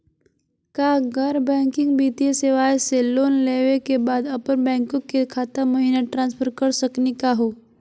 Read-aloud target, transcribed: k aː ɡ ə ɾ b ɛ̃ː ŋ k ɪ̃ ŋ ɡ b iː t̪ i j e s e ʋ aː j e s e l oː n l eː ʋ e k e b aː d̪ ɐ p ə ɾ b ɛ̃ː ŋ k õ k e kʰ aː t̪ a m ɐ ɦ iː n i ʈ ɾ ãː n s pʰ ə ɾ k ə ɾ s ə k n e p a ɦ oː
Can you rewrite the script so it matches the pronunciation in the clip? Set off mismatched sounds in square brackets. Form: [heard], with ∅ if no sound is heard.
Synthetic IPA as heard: k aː ɡ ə ɾ b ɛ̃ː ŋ k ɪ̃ ŋ ɡ b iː t̪ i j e s e ʋ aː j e s e l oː n l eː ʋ e k e b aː d̪ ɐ p ə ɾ b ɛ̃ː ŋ k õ k e kʰ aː t̪ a m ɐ ɦ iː n [a] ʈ ɾ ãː n s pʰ ə ɾ k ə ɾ s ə k n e [k] a ɦ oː